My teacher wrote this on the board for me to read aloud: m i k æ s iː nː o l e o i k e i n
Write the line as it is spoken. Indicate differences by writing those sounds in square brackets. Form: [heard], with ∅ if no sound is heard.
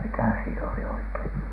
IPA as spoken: m i k æ s iː [n] o l [i] o i k e i n